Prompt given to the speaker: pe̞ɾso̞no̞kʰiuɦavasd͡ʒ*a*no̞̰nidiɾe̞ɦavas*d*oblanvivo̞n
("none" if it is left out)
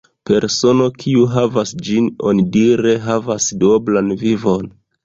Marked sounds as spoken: i, d

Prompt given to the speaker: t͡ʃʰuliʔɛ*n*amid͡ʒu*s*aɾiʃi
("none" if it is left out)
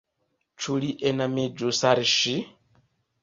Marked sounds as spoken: n, s

